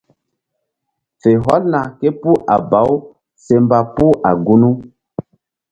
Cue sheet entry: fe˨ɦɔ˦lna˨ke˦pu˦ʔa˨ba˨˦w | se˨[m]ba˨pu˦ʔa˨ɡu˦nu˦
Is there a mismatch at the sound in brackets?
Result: no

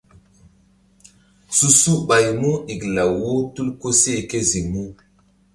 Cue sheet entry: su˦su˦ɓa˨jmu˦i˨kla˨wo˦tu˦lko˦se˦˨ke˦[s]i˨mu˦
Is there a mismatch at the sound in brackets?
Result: yes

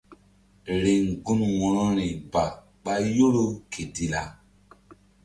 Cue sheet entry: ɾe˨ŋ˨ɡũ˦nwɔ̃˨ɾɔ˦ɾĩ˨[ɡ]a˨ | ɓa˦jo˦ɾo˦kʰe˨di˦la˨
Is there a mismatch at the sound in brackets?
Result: yes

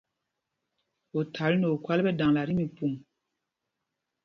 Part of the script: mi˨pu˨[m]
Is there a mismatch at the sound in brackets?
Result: no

